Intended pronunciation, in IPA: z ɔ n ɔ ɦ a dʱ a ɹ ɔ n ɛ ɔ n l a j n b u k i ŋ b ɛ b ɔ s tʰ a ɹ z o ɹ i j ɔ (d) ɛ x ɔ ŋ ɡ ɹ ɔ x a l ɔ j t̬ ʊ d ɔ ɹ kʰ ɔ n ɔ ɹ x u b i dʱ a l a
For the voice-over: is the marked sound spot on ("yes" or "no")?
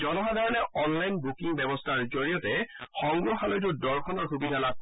no